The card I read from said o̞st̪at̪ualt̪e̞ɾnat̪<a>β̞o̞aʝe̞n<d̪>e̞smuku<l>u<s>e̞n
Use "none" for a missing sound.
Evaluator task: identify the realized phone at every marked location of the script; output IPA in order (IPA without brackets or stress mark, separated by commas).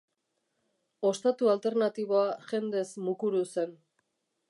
i, d̪, ɾ, s